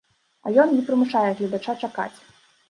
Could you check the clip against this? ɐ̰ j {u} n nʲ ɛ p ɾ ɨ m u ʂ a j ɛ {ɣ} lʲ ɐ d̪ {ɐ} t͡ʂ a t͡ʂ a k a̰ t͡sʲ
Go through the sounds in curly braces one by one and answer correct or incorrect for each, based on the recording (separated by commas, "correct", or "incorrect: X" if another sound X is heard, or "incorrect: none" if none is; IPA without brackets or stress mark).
incorrect: ɔ, correct, incorrect: a